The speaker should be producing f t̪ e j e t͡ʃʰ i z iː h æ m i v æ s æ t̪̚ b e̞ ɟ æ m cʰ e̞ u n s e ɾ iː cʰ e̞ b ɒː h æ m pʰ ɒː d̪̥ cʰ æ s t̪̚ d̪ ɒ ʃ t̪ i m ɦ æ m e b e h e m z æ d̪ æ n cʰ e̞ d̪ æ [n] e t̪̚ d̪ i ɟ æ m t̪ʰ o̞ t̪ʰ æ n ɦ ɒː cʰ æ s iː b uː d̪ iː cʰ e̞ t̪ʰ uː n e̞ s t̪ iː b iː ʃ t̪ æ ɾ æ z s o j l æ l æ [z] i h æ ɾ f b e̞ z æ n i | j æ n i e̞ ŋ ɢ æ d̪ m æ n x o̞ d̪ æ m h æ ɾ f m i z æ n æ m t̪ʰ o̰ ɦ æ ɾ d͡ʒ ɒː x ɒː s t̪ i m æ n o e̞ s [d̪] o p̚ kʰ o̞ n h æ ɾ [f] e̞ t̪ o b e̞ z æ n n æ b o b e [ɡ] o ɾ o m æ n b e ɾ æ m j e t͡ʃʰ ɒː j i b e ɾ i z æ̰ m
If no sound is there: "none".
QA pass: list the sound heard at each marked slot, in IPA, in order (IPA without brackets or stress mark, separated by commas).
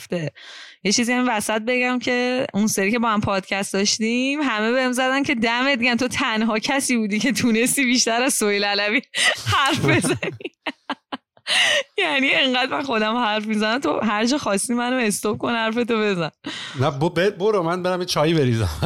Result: m, v, t̪, f, b